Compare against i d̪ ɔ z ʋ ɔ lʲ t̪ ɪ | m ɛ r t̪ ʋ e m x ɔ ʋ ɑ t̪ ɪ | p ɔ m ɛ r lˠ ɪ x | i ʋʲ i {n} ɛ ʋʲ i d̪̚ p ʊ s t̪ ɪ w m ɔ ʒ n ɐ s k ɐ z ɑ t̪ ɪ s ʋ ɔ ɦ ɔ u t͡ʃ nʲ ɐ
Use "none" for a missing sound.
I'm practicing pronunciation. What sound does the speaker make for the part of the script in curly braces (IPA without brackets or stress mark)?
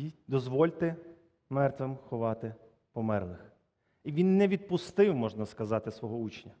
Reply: nː